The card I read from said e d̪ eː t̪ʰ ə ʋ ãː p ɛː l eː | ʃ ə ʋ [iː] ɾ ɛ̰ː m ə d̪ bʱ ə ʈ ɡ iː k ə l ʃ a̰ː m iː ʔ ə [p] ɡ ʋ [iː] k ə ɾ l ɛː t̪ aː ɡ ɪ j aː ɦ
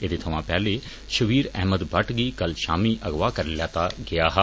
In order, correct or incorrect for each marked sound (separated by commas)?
correct, incorrect, incorrect